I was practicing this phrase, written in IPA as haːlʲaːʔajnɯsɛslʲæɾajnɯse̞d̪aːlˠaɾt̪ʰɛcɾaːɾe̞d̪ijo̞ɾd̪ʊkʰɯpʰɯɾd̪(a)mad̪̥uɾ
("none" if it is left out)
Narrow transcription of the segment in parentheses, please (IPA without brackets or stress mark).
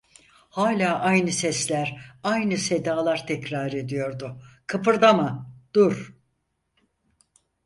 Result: a